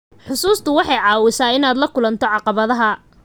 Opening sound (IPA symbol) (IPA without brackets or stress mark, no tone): ħ